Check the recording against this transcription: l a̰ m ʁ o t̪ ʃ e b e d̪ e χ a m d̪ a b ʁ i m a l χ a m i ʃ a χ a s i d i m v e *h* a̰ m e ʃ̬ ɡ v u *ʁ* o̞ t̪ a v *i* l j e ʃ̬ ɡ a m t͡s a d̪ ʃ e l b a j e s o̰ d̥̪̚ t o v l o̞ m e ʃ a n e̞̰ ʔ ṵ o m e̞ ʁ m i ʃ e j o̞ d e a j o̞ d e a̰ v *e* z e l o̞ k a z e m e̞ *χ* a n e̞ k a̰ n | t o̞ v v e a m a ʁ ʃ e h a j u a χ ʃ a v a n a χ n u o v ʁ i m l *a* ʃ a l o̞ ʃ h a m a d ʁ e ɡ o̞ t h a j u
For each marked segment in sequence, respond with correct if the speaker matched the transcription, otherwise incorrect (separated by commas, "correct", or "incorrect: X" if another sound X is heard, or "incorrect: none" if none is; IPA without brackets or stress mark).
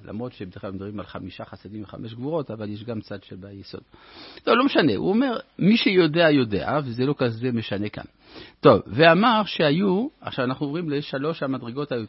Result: incorrect: χ, correct, incorrect: a, correct, incorrect: ʃ, incorrect: e